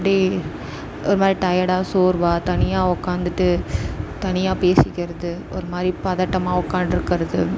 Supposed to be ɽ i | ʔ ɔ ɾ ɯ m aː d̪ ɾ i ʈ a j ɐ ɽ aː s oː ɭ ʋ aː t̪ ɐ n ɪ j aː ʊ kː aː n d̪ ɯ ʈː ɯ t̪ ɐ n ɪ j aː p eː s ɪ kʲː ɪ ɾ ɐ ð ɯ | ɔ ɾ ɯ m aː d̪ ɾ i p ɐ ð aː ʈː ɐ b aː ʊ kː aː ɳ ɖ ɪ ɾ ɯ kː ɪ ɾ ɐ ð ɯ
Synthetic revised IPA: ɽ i | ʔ ɔ ɾ ɯ m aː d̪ ɾ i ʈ ɐ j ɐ ɽ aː s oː ɾ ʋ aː t̪ ɐ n ɪ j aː ʊ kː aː n d̪ ɯ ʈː ɯ t̪ ɐ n ɪ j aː p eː s ɪ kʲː ɪ ɾ ɐ ð ɯ | ɔ ɾ ɯ m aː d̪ ɾ i p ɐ ð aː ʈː ɐ m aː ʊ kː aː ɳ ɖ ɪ ɾ ɯ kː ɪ ɾ ɐ ð ɯ